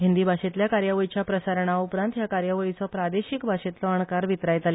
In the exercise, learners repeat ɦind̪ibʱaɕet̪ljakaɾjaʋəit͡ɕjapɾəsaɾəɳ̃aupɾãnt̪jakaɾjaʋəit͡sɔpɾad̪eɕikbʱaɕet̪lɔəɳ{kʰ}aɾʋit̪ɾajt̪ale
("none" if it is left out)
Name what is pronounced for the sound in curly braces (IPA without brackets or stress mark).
k